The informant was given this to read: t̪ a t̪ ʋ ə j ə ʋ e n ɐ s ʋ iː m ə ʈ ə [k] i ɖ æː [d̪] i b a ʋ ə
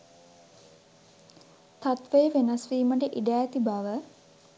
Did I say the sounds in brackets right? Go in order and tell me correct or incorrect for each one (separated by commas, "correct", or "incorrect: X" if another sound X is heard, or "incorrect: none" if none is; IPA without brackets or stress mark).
incorrect: ʔ, incorrect: t̪